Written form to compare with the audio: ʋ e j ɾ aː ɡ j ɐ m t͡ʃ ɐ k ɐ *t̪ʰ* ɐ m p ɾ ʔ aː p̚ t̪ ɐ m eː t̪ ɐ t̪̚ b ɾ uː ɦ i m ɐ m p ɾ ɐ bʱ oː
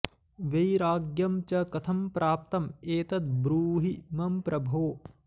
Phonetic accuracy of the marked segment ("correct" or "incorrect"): correct